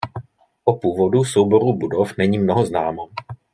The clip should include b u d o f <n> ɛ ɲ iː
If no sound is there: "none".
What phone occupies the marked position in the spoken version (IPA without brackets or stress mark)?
n